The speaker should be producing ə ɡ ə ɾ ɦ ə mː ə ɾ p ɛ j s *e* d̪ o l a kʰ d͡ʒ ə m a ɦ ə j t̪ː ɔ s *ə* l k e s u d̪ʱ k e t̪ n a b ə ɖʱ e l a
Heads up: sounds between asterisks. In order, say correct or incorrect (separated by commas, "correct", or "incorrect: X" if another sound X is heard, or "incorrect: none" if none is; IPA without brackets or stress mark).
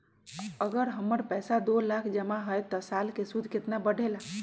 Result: incorrect: a, incorrect: a